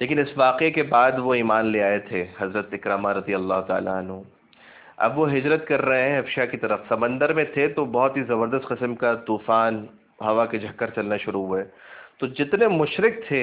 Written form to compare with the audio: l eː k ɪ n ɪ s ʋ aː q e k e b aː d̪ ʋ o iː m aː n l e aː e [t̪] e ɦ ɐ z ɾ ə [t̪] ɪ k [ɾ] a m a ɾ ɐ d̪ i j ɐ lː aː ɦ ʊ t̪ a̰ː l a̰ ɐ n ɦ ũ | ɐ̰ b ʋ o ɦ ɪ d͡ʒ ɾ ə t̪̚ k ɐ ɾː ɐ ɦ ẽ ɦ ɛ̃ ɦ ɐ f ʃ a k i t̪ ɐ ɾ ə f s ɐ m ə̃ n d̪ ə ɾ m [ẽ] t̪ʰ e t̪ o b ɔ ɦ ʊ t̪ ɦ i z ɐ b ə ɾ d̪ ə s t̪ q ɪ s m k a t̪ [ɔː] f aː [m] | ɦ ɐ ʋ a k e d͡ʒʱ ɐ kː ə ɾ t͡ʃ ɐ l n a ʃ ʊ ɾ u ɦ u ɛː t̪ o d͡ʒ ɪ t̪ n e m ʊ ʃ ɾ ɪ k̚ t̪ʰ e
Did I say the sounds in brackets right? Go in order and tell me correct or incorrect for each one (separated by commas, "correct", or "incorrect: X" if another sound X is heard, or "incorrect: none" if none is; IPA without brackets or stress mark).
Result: incorrect: t̪ʰ, correct, correct, correct, incorrect: uː, incorrect: n